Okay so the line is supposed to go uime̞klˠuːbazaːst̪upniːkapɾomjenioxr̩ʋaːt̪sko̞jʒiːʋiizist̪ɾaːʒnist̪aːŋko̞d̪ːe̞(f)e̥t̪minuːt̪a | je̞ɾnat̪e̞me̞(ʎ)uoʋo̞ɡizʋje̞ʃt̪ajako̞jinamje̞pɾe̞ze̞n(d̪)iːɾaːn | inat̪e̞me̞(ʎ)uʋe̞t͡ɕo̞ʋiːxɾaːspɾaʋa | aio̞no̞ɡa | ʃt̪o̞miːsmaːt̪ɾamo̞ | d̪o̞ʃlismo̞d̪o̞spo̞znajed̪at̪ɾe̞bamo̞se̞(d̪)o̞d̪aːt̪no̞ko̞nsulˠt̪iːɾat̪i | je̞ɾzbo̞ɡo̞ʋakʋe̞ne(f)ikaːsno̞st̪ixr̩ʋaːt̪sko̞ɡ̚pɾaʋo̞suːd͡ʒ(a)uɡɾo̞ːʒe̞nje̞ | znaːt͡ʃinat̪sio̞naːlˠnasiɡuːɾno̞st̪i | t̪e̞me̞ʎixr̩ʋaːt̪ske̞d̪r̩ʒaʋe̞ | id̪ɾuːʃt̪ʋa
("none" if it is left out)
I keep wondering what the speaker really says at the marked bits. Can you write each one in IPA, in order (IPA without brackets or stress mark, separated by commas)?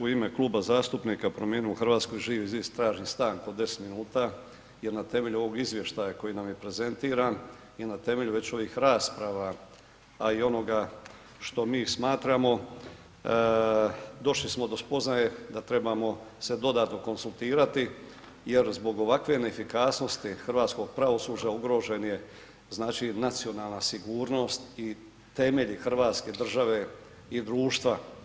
s, ʎ, t̪, ʎ, d̪, f, a